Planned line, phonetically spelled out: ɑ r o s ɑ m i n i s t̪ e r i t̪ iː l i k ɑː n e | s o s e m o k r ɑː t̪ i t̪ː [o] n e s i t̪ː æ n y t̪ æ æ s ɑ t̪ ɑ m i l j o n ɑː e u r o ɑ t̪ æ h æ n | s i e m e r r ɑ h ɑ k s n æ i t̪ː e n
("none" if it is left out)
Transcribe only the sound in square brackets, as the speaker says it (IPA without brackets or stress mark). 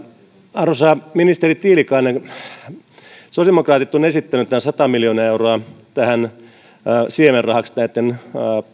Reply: o